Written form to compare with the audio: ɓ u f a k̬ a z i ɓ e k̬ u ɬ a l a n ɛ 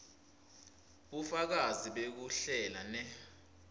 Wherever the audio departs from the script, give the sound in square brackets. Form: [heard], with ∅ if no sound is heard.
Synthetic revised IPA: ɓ u f a k̬ a z i ɓ e k̬ u ɬ [ɛ] l a n ɛ